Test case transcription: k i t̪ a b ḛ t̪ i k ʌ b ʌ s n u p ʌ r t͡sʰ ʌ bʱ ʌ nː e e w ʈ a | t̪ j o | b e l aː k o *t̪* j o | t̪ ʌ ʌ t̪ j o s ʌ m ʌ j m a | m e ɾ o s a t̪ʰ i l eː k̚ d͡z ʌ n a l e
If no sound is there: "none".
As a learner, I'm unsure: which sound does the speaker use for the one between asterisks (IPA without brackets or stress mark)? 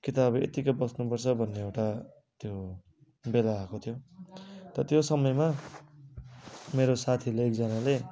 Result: t̪ʰ